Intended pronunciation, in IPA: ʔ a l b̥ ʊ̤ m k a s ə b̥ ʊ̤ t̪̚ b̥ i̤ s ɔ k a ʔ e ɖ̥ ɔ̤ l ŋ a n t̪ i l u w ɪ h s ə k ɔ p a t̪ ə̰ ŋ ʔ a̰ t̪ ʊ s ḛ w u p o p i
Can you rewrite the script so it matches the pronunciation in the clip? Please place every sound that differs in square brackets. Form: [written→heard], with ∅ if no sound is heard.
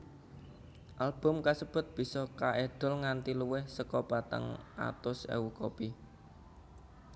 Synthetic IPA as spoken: ʔ a l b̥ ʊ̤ m k a s ə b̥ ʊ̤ t̪̚ b̥ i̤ s ɔ k a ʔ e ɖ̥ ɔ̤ l ŋ a n t̪ i l u w ɪ h s ə k ɔ p a t̪ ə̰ ŋ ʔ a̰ t̪ ʊ s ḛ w u [p→k] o p i

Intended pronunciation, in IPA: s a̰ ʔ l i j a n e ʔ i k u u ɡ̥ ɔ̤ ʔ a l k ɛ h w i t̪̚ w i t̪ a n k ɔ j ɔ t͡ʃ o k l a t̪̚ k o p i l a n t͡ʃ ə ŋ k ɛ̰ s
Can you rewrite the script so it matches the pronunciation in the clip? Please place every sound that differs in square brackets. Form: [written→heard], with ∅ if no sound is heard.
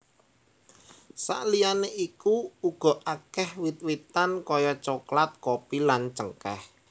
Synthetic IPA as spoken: s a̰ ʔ l i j a n e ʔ i k u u ɡ̥ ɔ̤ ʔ a [l→∅] k ɛ h w i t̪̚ w i t̪ a n k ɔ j ɔ t͡ʃ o k l a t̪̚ k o p i l a n t͡ʃ ə ŋ k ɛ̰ [s→h]

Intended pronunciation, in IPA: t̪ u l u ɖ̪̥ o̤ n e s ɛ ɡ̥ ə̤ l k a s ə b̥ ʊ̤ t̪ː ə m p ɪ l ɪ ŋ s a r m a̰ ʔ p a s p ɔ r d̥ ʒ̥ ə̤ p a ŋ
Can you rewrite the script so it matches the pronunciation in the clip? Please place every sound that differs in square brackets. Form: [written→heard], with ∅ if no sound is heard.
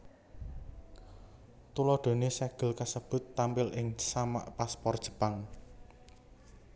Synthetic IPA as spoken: t̪ u l [u→ɔ] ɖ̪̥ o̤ n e s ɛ ɡ̥ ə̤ l k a s ə b̥ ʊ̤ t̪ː [ə→a] m p ɪ l ɪ ŋ s a [r→∅] m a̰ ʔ p a s p ɔ r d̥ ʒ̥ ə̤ p a ŋ

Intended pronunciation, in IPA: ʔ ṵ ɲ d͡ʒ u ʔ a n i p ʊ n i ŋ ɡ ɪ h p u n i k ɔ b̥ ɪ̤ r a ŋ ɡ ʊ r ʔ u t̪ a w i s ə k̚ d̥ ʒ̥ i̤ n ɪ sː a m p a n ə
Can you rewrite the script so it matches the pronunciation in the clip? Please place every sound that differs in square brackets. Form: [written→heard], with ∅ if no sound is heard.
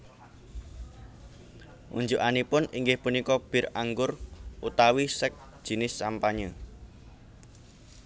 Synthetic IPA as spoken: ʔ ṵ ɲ d͡ʒ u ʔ a n i p ʊ n i ŋ ɡ ɪ h p u n i k ɔ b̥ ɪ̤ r a ŋ ɡ ʊ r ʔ u t̪ a w i s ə k̚ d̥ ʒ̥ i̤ n ɪ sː a m p a [n→ɲ] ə

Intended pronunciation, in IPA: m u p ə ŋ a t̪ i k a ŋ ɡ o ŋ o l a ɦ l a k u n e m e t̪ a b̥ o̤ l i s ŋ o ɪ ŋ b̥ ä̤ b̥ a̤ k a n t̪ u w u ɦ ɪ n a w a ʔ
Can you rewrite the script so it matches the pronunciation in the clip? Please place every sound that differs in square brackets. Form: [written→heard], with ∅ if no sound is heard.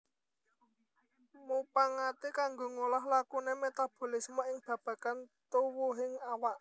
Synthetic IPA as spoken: m u p [ə→a] ŋ a t̪ i k a ŋ ɡ o ŋ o l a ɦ l a k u n e m e t̪ a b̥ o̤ l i s [ŋ→m] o ɪ ŋ b̥ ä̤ b̥ a̤ k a n t̪ u w u ɦ ɪ [n→ŋ] a w a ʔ

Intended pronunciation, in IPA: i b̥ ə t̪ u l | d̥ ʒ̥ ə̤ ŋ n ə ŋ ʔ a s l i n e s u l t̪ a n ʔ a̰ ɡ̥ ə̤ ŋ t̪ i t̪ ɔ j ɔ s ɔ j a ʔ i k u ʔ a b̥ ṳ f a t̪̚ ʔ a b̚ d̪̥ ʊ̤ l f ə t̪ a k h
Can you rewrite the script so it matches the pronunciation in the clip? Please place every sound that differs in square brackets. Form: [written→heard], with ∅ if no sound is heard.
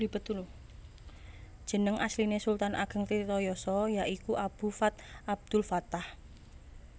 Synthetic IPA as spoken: i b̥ ə t̪ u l | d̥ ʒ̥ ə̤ [ŋ→∅] n ə ŋ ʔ a s l i n e s u l t̪ a n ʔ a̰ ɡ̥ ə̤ ŋ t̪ i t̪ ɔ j ɔ s ɔ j a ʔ i k u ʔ a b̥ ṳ f a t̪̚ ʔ a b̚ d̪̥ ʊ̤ l f [ə→a] t̪ a [k→∅] h

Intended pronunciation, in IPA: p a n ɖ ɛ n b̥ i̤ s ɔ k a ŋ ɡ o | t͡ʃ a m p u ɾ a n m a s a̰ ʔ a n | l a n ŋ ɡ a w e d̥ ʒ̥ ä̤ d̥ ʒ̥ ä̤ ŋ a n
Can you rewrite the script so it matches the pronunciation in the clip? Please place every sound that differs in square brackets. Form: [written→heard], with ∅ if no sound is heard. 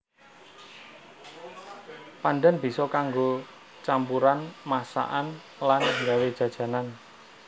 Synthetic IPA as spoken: p a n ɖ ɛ n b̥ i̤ s ɔ k a ŋ ɡ o | t͡ʃ a m p u ɾ a n m a s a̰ ʔ a n | l a n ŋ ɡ a w e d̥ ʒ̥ ä̤ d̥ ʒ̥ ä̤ [ŋ→n] a n

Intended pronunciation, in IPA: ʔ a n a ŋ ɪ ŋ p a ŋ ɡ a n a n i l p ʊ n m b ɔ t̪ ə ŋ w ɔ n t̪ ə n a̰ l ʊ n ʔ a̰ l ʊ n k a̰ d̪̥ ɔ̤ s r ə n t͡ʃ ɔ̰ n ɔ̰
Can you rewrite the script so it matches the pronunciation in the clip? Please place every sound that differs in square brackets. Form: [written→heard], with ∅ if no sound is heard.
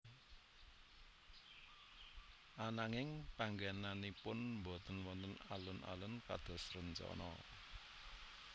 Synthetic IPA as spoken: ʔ a n a ŋ ɪ ŋ p a ŋ ɡ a n a n i [l→∅] p ʊ n m b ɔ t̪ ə [ŋ→n] w ɔ n t̪ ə n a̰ l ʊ n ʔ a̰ l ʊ n k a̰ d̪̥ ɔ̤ s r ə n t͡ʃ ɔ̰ n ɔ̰

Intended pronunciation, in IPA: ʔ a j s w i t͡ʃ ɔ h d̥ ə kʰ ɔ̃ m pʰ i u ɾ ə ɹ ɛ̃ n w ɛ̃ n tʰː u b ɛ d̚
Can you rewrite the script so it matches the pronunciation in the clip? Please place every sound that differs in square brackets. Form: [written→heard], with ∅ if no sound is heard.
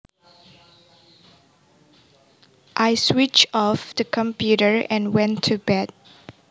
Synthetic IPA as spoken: ʔ a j s w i t͡ʃ ɔ [h→f] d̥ ə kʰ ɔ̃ m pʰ [i→j] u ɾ ə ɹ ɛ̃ n w ɛ̃ n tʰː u b ɛ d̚

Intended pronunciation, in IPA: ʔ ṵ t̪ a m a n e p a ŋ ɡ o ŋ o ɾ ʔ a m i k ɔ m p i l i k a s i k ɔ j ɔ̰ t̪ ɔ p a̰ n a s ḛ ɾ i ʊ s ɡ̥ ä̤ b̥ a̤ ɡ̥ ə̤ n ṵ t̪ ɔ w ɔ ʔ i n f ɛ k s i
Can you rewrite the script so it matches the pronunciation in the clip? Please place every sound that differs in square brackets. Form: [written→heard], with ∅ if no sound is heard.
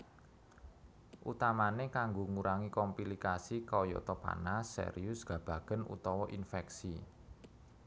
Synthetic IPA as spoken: ʔ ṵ t̪ a m a n e [p→k] a ŋ ɡ o ŋ [o→u] ɾ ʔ a [m→ŋ] i k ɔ m p i l i k a s i k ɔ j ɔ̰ t̪ ɔ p a̰ n a s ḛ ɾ i ʊ s ɡ̥ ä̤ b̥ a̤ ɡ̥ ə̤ n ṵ t̪ ɔ w ɔ ʔ i n f ɛ k s i

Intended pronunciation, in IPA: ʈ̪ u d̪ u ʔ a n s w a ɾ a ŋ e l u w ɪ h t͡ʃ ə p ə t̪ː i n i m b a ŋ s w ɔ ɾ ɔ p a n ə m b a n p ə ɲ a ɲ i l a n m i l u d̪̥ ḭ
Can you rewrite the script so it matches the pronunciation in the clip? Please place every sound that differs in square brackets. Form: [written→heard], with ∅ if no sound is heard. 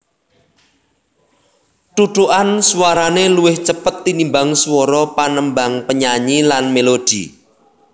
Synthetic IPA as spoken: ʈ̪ u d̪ u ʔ a n s w a ɾ a [ŋ→n] e l u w ɪ h t͡ʃ ə p ə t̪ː i n i m b a ŋ s w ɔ ɾ ɔ p a n ə m b a [n→ŋ] p ə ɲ a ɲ i l a n m [i→e] l [u→o] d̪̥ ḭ

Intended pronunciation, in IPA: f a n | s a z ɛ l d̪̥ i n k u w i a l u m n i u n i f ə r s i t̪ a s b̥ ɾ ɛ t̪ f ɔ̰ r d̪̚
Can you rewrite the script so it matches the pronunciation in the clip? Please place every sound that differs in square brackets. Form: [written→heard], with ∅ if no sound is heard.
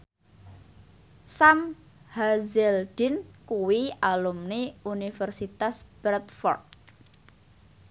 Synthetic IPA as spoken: [f→s] a [n→m] | [s→h] a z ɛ l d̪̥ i n k u w i a l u m n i u n i f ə r s i t̪ a s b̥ ɾ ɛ t̪ f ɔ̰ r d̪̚

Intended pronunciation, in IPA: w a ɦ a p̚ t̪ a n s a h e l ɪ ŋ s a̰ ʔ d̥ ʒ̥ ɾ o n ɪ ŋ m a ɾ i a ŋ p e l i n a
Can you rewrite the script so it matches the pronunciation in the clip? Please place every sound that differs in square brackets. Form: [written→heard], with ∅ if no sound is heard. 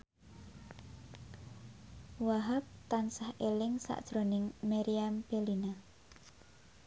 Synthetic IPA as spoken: w a ɦ a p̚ t̪ a n s a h e l ɪ ŋ s a̰ ʔ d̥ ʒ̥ ɾ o n ɪ ŋ m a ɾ i a [ŋ→m] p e l i n a

